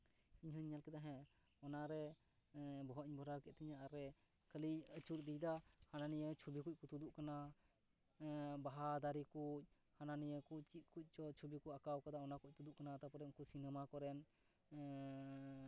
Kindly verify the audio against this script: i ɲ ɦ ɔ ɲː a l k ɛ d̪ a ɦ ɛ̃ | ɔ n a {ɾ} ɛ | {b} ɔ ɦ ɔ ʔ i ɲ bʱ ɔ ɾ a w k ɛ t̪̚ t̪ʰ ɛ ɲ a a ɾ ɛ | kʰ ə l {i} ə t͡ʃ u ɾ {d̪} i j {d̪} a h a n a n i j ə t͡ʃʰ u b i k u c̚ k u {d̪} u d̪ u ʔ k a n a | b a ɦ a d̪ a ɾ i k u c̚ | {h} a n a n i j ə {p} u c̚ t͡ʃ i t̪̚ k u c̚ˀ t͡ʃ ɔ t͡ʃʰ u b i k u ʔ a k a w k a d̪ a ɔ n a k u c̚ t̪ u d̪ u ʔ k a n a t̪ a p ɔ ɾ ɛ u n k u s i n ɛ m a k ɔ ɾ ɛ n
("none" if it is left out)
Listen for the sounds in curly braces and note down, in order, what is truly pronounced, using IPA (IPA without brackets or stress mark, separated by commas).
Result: ɾ, b, i, d̪, d̪, t̪, h, k